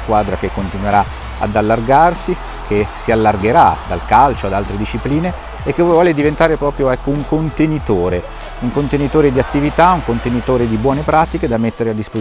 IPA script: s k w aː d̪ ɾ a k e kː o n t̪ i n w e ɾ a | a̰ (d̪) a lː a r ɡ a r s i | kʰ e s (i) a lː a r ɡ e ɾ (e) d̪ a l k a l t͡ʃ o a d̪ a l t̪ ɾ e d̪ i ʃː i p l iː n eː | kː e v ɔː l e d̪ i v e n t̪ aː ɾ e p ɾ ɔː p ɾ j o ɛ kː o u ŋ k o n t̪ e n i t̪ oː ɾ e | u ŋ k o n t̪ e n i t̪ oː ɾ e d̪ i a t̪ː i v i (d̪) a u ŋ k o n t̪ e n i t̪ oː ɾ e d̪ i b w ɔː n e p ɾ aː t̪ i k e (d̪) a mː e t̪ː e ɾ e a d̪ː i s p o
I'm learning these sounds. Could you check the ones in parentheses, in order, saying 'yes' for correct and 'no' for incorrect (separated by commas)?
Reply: yes, yes, no, no, yes